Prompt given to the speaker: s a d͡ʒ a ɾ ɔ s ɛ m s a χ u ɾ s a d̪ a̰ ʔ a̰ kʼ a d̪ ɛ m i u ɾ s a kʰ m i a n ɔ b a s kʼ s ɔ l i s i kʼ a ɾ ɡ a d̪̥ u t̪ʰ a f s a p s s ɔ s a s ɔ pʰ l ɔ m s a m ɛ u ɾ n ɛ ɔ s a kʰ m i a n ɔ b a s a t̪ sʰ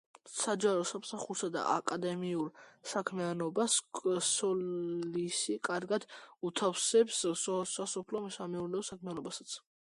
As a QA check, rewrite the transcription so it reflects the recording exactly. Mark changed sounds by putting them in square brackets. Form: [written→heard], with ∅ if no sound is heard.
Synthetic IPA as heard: s a d͡ʒ a ɾ ɔ s [ɛ→a] m s a χ u ɾ s a d̪ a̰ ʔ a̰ kʼ a d̪ ɛ m i u ɾ s a kʰ m i a n ɔ b a s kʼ s ɔ l i s i kʼ a ɾ ɡ a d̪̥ u t̪ʰ a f s [a→ɛ] p s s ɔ s a s ɔ pʰ l ɔ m s a m ɛ u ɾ n ɛ ɔ s a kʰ m i a n ɔ b a s a t̪ sʰ